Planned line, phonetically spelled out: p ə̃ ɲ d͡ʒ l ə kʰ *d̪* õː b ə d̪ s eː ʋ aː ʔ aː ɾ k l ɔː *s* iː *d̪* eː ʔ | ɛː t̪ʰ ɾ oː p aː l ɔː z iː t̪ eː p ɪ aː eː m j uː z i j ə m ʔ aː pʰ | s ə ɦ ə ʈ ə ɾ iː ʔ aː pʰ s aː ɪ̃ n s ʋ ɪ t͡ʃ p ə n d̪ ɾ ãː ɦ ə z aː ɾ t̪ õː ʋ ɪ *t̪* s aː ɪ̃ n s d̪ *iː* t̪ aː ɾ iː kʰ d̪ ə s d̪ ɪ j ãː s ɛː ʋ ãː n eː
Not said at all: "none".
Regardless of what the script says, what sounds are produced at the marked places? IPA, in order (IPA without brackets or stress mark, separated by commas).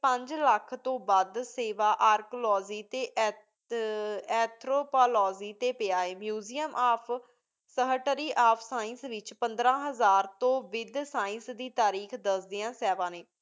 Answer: t̪, z, t̪, d̪, iː